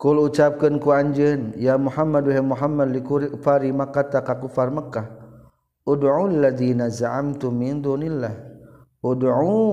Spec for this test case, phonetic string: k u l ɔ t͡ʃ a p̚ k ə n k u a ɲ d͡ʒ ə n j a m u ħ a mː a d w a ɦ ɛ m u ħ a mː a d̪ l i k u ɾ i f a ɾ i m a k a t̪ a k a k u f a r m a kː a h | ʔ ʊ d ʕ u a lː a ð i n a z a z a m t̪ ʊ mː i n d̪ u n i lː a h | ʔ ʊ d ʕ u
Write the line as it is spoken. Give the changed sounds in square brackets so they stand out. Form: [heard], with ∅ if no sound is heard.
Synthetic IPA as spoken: k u l [u] t͡ʃ a p̚ k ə n k u a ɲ d͡ʒ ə n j a m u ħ a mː a d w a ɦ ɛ m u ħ a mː a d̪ l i k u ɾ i f a ɾ i m a k a t̪ a k a k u f a r m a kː a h | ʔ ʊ d ʕ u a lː a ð i n a z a [ʕ] a m t̪ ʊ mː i n d̪ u n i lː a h | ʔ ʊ d ʕ u